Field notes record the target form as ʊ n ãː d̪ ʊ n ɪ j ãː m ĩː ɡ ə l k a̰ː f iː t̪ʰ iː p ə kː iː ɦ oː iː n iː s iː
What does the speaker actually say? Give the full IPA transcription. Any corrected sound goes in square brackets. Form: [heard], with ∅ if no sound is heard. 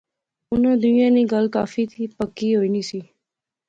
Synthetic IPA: ʊ n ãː d̪ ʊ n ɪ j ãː [n] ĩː ɡ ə l k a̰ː f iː t̪ʰ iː p ə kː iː ɦ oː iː n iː s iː